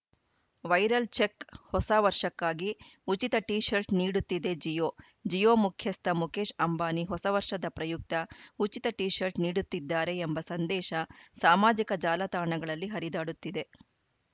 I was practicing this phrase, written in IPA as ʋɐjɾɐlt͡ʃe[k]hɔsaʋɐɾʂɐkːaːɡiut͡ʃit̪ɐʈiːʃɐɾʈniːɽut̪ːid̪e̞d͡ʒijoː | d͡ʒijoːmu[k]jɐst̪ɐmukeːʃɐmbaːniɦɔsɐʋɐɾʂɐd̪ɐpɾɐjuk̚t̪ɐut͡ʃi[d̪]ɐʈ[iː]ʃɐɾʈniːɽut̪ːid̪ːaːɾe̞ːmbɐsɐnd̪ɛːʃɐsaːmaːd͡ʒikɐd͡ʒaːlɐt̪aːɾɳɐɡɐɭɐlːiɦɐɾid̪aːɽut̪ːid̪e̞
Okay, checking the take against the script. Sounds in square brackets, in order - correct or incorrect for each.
correct, incorrect: kʰ, incorrect: t̪, correct

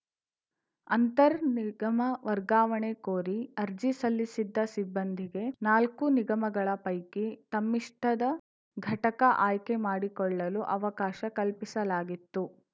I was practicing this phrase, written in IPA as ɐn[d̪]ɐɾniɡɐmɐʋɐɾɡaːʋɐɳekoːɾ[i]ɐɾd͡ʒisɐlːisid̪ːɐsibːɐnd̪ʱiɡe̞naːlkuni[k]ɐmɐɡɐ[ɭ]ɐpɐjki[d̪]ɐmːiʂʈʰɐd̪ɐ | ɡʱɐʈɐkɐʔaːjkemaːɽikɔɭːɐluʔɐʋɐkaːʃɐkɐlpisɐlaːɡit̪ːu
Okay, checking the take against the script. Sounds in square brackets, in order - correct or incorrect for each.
incorrect: t̪, correct, incorrect: ɡ, correct, incorrect: t̪

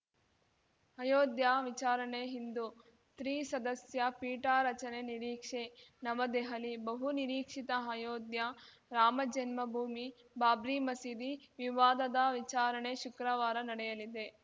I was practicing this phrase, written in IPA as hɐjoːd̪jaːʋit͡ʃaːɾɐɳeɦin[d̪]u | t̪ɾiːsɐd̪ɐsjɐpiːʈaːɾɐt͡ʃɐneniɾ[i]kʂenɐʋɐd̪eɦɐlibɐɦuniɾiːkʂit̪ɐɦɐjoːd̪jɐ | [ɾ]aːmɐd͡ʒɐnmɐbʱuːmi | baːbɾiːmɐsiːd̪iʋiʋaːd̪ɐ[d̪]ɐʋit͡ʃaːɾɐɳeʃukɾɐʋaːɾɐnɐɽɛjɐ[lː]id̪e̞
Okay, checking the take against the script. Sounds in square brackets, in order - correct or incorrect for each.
correct, incorrect: iː, correct, correct, incorrect: l

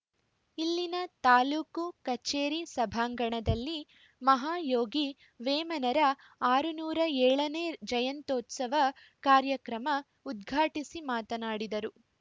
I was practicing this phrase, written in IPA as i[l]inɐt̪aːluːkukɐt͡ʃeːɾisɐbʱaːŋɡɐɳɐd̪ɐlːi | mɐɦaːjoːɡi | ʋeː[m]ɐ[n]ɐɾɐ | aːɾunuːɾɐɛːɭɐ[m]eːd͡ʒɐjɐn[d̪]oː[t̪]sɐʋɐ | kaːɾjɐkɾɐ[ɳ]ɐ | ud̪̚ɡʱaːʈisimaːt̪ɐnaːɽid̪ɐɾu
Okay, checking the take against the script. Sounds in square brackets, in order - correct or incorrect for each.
incorrect: lː, correct, correct, incorrect: n, incorrect: t̪, correct, incorrect: m

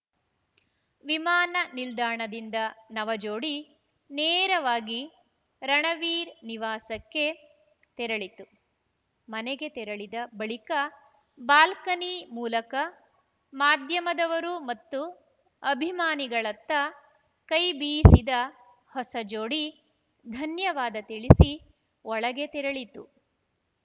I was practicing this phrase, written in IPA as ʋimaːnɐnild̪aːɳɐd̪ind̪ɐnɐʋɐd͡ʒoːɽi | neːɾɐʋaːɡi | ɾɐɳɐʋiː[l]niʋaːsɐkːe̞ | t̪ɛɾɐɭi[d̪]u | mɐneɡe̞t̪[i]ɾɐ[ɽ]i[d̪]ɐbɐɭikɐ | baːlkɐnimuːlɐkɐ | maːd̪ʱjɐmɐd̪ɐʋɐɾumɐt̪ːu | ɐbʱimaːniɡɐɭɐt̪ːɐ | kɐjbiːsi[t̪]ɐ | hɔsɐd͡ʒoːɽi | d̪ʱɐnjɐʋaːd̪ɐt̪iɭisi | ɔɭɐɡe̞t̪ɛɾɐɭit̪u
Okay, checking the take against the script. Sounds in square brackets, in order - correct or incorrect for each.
incorrect: ɾ, incorrect: t̪, incorrect: ɛ, incorrect: ɭ, correct, incorrect: d̪

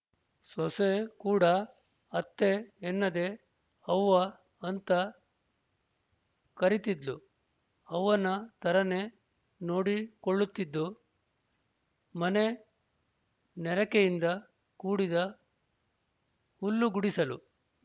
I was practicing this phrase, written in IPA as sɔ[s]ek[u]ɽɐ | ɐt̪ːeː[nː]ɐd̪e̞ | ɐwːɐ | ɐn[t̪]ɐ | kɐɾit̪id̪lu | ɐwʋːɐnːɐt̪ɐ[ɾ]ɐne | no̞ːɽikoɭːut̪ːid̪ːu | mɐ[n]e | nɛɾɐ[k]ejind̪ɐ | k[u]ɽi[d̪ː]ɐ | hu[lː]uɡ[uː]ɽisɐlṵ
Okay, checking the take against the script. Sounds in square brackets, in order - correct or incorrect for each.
correct, incorrect: uː, correct, correct, correct, correct, correct, incorrect: uː, incorrect: d̪, correct, incorrect: u

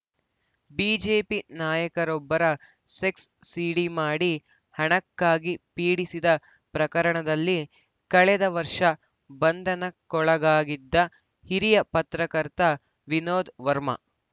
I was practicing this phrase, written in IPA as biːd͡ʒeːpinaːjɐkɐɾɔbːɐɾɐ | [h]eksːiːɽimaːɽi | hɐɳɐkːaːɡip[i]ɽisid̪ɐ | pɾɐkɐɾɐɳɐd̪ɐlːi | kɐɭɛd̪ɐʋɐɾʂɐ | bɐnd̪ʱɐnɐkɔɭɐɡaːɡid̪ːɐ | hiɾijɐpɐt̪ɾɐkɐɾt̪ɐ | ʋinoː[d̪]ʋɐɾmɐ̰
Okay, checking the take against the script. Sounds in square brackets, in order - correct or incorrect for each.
incorrect: s, incorrect: iː, correct

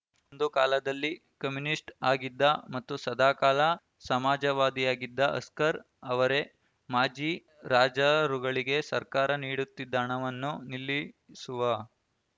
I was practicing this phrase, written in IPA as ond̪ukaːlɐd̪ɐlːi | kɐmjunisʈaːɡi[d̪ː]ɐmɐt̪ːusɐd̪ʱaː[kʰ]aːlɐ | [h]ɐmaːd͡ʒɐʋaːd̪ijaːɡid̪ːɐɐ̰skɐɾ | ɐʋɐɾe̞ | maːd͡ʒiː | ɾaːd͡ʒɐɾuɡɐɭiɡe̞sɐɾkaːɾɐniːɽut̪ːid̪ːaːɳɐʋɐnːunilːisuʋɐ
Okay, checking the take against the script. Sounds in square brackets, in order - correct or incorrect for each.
correct, incorrect: k, incorrect: s

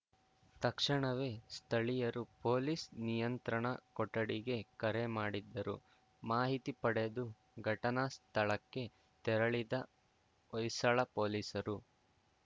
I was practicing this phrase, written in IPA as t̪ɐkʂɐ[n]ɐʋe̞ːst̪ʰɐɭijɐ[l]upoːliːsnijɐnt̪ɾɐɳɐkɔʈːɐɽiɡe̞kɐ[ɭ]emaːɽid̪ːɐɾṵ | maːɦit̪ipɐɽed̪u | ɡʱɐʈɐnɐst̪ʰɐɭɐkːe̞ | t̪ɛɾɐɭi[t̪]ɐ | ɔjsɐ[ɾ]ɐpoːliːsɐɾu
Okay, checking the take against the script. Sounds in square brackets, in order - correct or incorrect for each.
incorrect: ɳ, incorrect: ɾ, incorrect: ɾ, incorrect: d̪, incorrect: ɭ

